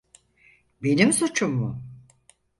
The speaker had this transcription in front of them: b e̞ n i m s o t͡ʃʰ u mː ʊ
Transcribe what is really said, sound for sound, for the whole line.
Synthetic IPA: b e̞ n i m s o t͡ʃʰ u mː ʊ